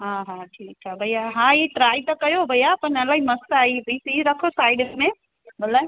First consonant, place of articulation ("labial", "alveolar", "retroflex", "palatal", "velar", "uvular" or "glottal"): glottal